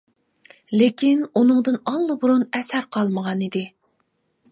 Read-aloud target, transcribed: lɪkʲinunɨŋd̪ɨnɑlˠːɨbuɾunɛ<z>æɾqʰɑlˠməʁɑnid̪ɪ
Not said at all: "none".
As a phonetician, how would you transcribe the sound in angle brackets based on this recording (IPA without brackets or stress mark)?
s